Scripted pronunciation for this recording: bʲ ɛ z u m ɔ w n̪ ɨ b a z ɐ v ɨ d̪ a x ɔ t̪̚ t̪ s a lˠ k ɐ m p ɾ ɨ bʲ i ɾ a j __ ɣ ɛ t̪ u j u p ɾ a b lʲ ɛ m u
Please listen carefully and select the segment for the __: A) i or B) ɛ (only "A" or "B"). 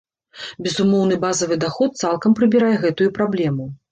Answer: B